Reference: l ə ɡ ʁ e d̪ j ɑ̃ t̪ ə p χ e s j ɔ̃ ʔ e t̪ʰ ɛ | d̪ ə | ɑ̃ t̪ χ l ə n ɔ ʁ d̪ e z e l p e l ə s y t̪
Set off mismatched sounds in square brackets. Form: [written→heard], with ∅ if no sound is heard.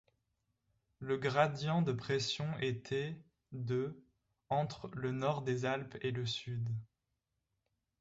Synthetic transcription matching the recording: l ə ɡ ʁ [e→a] d̪ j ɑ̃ [t̪→d̪] ə p χ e s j ɔ̃ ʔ e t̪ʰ ɛ | d̪ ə | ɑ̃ t̪ χ l ə n ɔ ʁ d̪ e z [e→a] l p e l ə s y [t̪→d̪]